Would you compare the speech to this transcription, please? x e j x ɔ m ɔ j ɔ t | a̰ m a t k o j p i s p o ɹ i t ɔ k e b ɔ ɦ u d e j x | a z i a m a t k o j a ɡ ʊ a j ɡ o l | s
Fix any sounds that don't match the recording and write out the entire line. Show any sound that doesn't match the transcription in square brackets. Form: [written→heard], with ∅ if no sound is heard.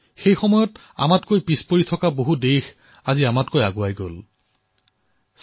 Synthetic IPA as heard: x e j x ɔ m ɔ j ɔ t | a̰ m a t k o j p i s p o ɹ i [t→tʰ] ɔ k [e→a] b [ɔ→o] ɦ u d e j x | a z i a m a t k o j a ɡ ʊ a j ɡ o l | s